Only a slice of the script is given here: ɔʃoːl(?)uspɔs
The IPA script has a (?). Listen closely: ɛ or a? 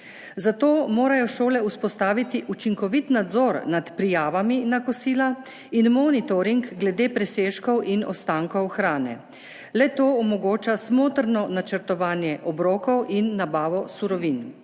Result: ɛ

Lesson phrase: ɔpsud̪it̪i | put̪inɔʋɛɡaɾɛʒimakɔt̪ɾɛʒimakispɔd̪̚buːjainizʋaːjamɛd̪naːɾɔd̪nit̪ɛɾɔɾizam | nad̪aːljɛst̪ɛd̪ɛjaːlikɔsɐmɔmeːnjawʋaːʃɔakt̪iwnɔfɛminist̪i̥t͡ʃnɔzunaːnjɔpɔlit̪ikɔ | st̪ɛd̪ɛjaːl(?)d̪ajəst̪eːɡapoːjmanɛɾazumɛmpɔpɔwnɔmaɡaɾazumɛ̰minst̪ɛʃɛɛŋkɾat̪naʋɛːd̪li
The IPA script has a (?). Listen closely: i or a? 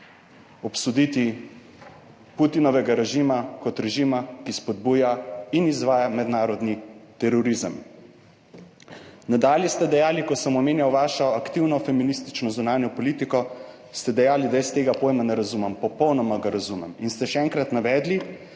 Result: i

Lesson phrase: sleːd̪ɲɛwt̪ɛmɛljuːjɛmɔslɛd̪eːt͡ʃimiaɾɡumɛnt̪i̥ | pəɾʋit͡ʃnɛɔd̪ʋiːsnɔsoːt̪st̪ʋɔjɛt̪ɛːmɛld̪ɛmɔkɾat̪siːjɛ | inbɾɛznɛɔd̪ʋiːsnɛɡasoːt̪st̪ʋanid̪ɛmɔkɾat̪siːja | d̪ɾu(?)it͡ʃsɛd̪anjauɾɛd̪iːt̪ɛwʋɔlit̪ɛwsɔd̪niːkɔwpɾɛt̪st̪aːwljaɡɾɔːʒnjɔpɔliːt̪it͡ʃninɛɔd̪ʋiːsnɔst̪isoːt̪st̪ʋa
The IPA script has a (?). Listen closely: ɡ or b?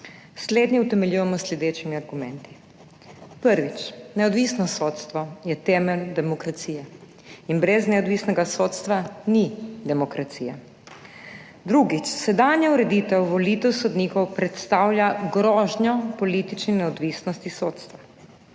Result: ɡ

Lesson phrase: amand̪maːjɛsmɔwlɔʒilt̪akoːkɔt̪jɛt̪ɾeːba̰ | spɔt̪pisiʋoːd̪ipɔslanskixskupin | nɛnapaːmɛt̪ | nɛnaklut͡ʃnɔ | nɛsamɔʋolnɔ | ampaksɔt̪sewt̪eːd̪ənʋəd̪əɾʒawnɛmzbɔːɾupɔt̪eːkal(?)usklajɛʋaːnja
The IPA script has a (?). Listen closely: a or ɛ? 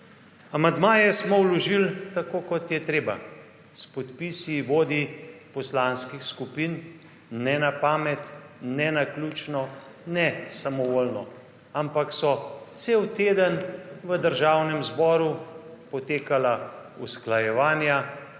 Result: a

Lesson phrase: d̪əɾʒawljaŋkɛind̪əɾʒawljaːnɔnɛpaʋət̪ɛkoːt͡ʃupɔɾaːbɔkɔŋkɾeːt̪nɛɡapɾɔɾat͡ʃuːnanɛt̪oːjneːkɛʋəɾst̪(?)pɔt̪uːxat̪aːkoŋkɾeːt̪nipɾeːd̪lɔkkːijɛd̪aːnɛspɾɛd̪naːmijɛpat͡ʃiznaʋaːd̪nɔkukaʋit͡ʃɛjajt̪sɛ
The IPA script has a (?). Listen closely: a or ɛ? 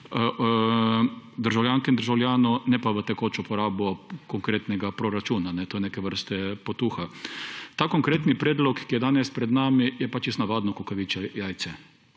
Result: ɛ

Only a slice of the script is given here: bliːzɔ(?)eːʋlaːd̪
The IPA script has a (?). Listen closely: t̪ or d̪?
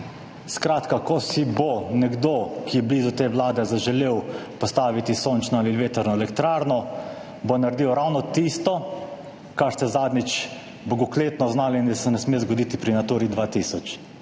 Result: t̪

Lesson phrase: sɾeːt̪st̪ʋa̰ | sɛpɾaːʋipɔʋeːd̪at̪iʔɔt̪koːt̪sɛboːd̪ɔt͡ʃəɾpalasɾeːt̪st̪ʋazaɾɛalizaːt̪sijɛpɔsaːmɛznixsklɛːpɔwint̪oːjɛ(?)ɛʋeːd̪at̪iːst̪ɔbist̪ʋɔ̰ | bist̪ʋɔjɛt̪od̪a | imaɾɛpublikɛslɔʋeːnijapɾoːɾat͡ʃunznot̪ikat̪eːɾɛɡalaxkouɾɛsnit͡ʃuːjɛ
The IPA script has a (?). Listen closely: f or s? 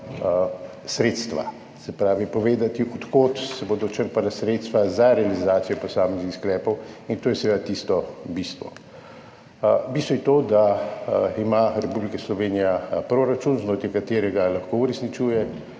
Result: s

